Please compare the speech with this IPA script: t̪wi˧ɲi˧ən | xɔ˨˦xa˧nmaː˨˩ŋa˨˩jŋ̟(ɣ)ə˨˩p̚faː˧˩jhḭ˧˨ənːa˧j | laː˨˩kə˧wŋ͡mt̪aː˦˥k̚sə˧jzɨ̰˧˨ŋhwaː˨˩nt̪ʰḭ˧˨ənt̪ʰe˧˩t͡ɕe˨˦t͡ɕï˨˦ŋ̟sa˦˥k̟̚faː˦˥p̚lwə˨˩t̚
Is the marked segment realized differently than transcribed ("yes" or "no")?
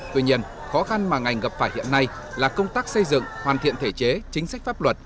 no